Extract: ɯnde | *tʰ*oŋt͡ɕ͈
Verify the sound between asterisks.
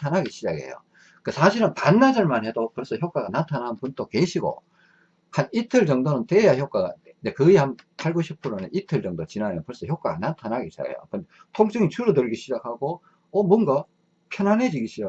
correct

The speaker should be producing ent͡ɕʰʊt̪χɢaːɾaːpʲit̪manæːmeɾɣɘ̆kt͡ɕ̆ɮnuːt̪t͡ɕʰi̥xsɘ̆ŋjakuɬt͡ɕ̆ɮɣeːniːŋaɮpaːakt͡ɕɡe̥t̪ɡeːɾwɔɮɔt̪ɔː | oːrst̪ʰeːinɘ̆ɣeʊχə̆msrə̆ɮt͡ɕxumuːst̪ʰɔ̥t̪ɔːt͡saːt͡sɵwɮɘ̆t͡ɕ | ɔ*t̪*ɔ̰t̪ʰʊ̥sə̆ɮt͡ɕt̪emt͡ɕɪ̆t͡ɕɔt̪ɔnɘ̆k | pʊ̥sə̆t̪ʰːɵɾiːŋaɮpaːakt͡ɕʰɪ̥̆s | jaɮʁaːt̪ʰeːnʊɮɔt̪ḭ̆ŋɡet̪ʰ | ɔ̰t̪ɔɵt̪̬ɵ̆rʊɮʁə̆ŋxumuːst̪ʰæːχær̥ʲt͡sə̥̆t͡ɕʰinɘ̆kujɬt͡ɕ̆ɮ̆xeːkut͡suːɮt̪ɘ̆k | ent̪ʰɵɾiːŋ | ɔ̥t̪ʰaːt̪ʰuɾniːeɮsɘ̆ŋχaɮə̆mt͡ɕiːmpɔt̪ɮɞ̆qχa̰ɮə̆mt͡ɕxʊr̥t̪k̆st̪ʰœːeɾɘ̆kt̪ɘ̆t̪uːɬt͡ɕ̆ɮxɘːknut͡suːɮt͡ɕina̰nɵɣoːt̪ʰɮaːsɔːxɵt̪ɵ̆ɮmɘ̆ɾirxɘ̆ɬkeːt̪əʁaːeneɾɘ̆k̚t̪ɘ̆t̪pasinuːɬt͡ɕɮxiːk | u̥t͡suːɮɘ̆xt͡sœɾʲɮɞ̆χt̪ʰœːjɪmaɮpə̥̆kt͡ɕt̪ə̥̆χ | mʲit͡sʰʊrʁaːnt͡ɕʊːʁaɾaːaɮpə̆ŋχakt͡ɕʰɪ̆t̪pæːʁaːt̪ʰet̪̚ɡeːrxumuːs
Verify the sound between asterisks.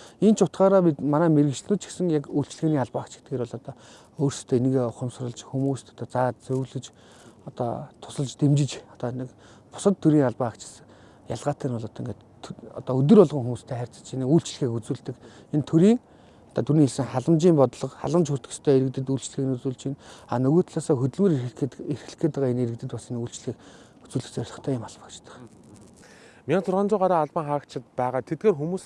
correct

